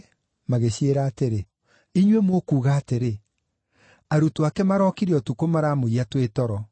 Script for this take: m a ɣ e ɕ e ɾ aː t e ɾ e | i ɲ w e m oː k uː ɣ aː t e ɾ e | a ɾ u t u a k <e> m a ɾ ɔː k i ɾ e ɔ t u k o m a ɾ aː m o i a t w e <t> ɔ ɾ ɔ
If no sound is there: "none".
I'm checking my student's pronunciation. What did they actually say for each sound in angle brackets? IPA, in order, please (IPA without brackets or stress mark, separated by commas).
ɛ, t